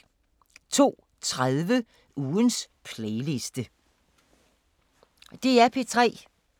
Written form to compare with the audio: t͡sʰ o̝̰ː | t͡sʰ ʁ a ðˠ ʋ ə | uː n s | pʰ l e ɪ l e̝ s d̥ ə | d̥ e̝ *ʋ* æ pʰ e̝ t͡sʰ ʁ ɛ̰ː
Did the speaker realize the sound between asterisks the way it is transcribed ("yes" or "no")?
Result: no